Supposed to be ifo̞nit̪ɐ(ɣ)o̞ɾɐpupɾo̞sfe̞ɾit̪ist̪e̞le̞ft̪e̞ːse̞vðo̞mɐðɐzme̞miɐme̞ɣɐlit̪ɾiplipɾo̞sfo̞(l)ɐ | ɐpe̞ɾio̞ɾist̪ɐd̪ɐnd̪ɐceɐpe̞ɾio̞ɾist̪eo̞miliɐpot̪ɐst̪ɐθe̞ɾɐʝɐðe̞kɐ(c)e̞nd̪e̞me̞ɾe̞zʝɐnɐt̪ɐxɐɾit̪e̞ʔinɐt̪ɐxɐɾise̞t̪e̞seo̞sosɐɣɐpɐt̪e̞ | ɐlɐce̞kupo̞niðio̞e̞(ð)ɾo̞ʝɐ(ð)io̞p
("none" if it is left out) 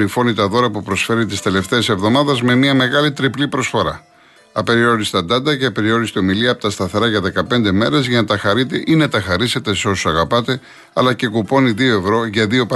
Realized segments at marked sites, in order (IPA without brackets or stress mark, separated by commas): ð, ɾ, p, v, ð